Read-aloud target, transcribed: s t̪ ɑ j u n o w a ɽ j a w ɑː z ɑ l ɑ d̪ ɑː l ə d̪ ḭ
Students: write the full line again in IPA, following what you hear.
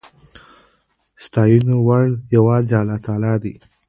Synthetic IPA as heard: s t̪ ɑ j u n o w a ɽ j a w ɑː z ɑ l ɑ t̪ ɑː l ɑ d̪ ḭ